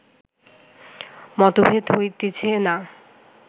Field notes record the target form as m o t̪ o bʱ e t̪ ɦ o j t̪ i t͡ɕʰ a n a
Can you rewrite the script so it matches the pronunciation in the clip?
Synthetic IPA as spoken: m ɔ t̪ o bʱ e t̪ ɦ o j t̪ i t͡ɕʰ e n a